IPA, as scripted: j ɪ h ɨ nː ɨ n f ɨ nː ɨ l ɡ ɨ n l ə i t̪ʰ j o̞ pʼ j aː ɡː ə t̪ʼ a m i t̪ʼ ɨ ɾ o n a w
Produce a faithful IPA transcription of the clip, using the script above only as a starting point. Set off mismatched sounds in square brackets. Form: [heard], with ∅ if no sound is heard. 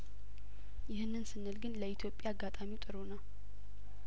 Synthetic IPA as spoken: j ɪ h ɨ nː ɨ n [s] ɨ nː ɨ l ɡ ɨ n l ə i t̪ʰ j o̞ pʼ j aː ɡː [a] t̪ʼ a m i t̪ʼ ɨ ɾ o n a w

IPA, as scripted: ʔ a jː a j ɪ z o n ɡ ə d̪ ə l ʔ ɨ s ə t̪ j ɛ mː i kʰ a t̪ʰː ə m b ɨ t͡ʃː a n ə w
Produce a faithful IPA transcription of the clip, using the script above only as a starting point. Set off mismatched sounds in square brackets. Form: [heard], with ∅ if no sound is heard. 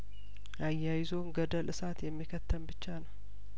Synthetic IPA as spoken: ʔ a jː a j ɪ z o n ɡ ə d̪ ə l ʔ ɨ s [a] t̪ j ɛ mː i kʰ [ə] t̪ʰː ə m b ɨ t͡ʃː a n ə w

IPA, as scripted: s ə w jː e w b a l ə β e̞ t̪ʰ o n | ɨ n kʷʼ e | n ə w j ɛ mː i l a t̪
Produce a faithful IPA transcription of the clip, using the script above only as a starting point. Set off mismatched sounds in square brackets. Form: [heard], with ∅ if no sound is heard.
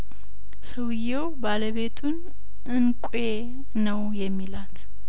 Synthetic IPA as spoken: s ə w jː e w b a l ə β e̞ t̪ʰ [u] n | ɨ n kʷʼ e | n ə w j ɛ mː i l a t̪

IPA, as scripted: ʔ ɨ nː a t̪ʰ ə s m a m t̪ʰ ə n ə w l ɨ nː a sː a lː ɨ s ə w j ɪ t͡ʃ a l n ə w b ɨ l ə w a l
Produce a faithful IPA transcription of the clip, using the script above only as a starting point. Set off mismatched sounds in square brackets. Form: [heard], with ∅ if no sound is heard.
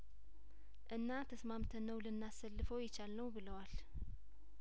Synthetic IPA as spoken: ʔ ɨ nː a t̪ʰ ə s m a m t̪ʰ ə n ə w l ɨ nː a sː [ə] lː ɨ [f] ə w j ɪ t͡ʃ a l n ə w b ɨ l ə w a l

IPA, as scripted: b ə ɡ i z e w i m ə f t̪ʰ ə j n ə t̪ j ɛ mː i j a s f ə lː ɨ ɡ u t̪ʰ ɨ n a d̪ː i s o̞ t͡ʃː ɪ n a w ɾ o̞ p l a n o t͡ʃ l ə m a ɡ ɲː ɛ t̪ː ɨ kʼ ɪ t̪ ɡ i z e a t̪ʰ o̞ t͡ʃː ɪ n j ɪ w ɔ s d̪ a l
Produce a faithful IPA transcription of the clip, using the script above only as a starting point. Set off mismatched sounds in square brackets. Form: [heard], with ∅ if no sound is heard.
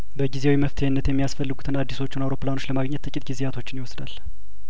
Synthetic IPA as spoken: b ə ɡ i z e w i m ə f t̪ʰ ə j [nː] ə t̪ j ɛ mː i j a s f ə lː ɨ ɡ u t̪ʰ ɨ n a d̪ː i s o̞ t͡ʃː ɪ n a w ɾ o̞ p l a n o t͡ʃ l ə m a ɡ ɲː ɛ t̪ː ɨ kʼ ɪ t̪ ɡ i z e a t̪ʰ o̞ t͡ʃː ɪ n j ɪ w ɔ s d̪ a l

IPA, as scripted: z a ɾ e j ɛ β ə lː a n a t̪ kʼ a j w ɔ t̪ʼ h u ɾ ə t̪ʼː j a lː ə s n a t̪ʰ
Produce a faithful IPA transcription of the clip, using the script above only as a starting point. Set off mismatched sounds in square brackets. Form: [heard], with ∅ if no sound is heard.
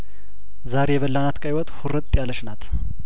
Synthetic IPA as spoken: z a ɾ e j ɛ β ə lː a n a t̪ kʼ a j w ɔ t̪ʼ h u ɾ ə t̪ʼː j a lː ə [ʃ] n a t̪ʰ

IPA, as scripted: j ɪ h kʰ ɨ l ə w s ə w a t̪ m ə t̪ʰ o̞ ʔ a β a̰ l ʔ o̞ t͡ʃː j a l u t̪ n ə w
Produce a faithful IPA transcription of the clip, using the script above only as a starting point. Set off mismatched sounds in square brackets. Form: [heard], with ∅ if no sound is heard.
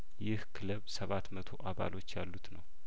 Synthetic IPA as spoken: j ɪ h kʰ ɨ l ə [β] s ə [β] a t̪ m ə t̪ʰ o̞ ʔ a β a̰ l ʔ o̞ t͡ʃː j a [lː] u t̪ n ə w

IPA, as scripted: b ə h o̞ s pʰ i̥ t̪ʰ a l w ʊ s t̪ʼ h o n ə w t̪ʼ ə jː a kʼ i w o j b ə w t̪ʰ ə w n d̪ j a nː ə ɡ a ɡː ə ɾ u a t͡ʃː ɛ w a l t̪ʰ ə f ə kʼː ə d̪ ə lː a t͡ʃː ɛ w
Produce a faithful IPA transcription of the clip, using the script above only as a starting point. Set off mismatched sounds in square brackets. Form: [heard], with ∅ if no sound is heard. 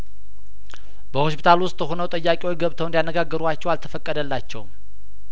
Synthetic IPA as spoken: b ə h o̞ s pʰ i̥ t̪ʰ a l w ʊ s t̪ʼ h o n ə w t̪ʼ ə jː a kʼ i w o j [ɡ] ə [β] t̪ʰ ə w n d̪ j a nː ə ɡ a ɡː ə ɾ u a t͡ʃː ɛ w a l t̪ʰ ə f ə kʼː ə d̪ ə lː a t͡ʃː ɛ w

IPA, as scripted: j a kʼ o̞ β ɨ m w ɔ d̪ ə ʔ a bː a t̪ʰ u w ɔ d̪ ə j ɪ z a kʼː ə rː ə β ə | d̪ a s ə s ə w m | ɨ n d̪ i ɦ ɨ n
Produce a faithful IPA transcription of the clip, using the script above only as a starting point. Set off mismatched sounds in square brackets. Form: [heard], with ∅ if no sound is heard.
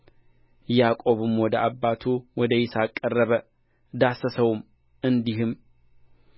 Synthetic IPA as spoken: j a kʼ o̞ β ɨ m w ɔ d̪ ə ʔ a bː a t̪ʰ u w ɔ d̪ ə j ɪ [s] a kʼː ə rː ə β ə | d̪ a s ə s ə w m | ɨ n d̪ i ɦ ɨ [m]

